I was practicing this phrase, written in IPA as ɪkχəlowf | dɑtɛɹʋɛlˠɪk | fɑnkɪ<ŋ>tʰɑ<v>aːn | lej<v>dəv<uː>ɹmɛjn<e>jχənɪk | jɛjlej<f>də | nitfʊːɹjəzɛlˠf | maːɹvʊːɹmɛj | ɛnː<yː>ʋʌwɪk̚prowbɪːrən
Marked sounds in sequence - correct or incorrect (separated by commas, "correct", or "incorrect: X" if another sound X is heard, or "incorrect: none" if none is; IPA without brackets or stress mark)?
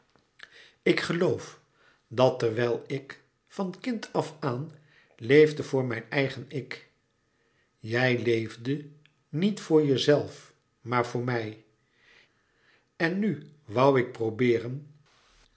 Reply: incorrect: n, incorrect: f, correct, incorrect: ʊː, incorrect: ɛ, incorrect: v, incorrect: y